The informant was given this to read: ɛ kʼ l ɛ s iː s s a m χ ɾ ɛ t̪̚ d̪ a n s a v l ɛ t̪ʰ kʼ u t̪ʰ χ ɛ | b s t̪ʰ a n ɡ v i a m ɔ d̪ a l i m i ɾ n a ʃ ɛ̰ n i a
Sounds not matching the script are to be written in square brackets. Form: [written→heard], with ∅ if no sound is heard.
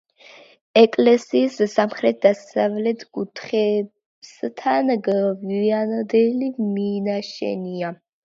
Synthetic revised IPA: ɛ kʼ l ɛ s iː s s a m χ ɾ ɛ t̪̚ d̪ a [n→∅] s a v l ɛ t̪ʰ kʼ u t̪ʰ χ ɛ | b s t̪ʰ a n ɡ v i a [m→n] ɔ d̪ [a→ɛ] l i m i [ɾ→∅] n a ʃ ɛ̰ n i a

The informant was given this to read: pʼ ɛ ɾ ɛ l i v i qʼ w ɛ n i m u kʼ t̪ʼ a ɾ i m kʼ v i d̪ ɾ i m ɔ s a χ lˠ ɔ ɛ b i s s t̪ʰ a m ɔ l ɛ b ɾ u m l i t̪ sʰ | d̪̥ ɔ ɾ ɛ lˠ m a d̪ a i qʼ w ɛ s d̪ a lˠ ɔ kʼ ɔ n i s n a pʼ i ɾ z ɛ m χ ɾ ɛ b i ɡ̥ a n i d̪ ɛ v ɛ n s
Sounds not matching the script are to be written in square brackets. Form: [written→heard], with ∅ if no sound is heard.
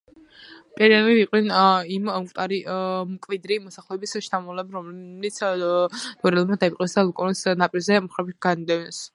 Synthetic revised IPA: pʼ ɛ ɾ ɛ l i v i qʼ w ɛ n i m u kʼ t̪ʼ a ɾ i m kʼ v i d̪ ɾ i m ɔ s a χ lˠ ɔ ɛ b i s [s→ʃ] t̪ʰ a m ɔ l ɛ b ɾ [u→ɔ] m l i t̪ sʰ | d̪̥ ɔ ɾ ɛ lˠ m a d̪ a i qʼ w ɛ s d̪ a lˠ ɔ kʼ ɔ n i s n a pʼ i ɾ z ɛ m χ ɾ ɛ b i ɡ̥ a n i d̪ ɛ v ɛ n s

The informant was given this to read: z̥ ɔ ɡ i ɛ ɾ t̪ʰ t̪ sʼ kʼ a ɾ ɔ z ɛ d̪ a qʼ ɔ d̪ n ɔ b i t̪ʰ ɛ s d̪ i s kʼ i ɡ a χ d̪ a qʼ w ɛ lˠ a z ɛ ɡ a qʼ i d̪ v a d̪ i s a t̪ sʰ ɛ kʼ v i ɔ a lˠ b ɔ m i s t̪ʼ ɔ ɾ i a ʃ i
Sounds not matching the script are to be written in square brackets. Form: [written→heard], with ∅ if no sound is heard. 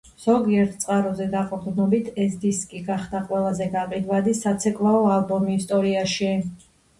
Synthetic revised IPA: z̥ ɔ ɡ i ɛ ɾ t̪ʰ t̪ sʼ [kʼ→qʼ] a ɾ ɔ z ɛ d̪ a qʼ ɔ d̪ n ɔ b i t̪ʰ ɛ s d̪ i s kʼ i ɡ a χ d̪ a qʼ w ɛ lˠ a z ɛ ɡ a qʼ i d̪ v a d̪ i s a t̪ sʰ ɛ kʼ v [i→a] ɔ a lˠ b ɔ m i s t̪ʼ ɔ ɾ i a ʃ i

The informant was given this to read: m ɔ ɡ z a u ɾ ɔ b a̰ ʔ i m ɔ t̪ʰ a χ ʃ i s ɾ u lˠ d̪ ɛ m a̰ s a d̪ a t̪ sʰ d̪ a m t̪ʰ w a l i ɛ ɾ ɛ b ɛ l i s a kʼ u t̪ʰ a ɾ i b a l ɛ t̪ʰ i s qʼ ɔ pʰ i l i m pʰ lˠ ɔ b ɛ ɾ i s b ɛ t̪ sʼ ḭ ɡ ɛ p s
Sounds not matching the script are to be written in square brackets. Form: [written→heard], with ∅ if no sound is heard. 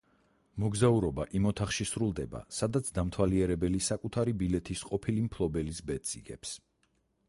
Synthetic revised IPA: m ɔ ɡ z a u ɾ ɔ b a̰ ʔ i m ɔ t̪ʰ a χ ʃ i s ɾ u lˠ d̪ ɛ [m→b] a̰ s a d̪ a t̪ sʰ d̪ a m t̪ʰ w a l i ɛ ɾ ɛ b ɛ l i s a kʼ u t̪ʰ a ɾ i b [a→i] l ɛ t̪ʰ i s qʼ ɔ pʰ i l i m pʰ lˠ ɔ b ɛ [ɾ→l] i s b ɛ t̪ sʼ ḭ ɡ ɛ p s

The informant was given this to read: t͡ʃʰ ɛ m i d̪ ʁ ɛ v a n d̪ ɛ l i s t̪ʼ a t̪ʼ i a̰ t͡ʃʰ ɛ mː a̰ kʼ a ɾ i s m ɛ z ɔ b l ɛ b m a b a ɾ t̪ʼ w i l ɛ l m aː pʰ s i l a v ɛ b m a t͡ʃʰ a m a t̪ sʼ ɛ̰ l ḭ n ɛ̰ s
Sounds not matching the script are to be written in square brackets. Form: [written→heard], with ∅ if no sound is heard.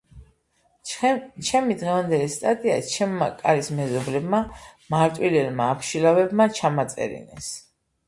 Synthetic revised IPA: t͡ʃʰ ɛ m i d̪ ʁ ɛ v a n d̪ ɛ l i s t̪ʼ a t̪ʼ i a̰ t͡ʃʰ ɛ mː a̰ kʼ a ɾ i s m ɛ z ɔ b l ɛ b m a [b→m] a ɾ t̪ʼ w i l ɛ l m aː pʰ [s→ʃ] i l a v ɛ b m a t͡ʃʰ a m a t̪ sʼ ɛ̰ [l→ɾ] ḭ n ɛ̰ s

